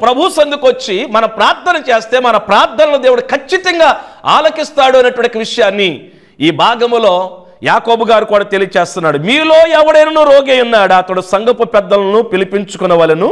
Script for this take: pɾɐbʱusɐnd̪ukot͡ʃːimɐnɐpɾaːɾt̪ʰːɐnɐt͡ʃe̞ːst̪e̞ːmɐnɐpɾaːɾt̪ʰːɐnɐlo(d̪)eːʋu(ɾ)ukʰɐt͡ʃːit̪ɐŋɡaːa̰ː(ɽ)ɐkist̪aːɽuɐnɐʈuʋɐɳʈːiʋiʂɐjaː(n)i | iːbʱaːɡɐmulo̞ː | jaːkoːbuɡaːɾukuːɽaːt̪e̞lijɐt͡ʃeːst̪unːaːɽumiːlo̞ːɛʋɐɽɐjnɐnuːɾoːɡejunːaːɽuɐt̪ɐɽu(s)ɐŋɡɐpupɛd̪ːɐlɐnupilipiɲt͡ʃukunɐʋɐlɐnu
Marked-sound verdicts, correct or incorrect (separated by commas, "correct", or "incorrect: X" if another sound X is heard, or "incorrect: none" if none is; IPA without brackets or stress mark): correct, incorrect: ɽ, incorrect: l, incorrect: nː, correct